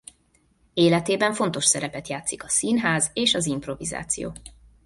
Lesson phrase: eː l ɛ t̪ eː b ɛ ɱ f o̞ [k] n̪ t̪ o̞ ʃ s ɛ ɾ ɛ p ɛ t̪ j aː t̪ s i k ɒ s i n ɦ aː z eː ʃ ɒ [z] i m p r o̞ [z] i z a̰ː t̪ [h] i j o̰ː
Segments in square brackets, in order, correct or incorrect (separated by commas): incorrect, correct, incorrect, incorrect